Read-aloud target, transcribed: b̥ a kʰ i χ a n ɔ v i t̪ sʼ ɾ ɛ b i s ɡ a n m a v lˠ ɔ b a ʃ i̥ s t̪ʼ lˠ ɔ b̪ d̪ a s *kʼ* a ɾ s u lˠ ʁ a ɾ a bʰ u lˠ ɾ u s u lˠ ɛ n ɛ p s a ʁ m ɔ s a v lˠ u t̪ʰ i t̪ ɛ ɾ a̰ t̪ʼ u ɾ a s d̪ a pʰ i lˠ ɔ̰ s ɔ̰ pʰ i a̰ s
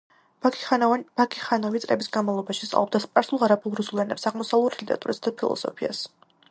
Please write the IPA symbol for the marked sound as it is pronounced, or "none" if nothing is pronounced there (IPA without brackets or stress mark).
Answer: pʼ